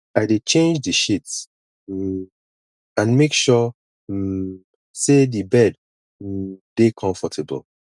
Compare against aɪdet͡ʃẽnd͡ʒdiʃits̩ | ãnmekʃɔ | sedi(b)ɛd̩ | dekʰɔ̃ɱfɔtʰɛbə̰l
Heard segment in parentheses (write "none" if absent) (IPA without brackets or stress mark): b